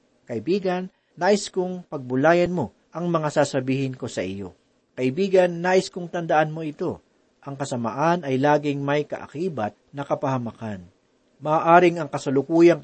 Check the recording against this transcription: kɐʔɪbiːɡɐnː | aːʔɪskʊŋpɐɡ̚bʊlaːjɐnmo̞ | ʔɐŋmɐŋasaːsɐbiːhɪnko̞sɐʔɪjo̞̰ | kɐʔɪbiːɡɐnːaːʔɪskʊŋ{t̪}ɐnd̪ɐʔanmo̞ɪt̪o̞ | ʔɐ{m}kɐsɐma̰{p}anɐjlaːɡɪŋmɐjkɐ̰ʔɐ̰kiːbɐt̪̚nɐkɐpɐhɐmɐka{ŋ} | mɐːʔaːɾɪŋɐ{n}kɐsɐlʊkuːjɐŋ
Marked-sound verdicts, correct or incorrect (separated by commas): correct, incorrect, incorrect, incorrect, incorrect